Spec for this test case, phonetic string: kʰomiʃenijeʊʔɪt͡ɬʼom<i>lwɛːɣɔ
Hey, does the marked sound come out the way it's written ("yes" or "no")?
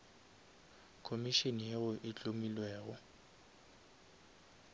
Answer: yes